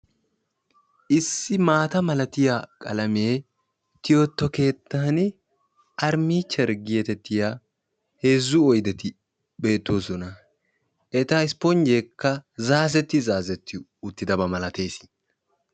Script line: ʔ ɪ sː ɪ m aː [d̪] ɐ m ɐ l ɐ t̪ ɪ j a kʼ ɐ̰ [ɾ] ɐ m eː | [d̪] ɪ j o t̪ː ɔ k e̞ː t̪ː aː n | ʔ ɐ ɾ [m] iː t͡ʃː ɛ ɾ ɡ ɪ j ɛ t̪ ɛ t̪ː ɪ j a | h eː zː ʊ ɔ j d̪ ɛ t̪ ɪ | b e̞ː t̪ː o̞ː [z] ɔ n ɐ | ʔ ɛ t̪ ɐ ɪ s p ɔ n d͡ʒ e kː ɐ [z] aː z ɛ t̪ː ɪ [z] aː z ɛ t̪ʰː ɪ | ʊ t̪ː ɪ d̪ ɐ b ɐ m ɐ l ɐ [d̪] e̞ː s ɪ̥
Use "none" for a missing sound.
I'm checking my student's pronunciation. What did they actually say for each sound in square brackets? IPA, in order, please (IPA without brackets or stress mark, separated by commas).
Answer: t̪, l, t̪, m, s, z, z, t̪